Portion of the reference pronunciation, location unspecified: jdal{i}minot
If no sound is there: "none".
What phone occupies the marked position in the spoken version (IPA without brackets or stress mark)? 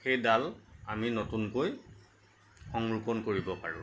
a